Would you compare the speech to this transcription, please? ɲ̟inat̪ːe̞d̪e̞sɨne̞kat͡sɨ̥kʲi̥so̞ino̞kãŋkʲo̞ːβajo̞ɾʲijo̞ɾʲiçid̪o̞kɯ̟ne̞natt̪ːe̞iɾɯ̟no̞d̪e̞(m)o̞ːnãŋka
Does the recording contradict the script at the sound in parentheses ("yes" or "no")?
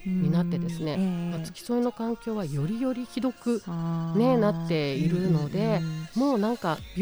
no